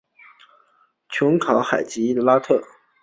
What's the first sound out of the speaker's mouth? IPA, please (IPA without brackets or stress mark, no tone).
t͡ɕʰ